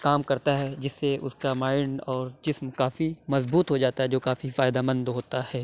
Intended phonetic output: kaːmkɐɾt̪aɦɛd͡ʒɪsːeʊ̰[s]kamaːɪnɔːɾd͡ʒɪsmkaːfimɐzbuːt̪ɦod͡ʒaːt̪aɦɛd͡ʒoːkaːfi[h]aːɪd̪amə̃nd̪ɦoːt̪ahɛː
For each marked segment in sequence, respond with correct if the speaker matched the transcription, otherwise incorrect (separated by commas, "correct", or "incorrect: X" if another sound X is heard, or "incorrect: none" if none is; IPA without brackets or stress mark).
correct, incorrect: f